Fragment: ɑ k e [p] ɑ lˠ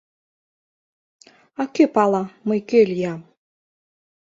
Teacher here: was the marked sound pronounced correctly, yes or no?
yes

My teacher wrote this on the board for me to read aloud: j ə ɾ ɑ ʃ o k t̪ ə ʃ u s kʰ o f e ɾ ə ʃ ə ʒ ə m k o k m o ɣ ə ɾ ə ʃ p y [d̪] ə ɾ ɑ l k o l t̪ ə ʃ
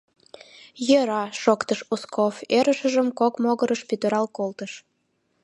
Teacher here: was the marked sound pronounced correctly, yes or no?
no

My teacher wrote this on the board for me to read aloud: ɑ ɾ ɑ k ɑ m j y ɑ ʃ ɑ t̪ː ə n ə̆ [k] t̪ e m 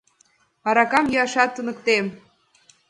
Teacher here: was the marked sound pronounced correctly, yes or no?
yes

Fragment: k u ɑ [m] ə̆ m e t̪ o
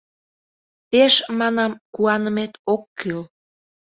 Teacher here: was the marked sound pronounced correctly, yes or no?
no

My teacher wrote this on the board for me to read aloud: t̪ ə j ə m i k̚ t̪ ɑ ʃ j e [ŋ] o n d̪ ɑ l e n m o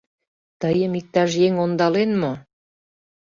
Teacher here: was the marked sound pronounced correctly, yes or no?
yes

